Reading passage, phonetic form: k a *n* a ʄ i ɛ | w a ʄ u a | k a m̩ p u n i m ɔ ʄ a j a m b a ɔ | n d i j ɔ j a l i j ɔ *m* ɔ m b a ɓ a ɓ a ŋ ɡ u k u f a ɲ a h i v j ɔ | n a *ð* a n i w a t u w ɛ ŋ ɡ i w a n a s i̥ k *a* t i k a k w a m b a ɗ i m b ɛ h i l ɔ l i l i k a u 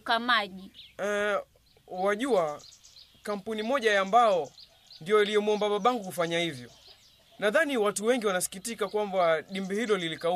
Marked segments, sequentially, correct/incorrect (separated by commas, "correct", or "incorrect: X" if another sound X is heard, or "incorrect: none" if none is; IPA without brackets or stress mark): incorrect: m, correct, correct, incorrect: i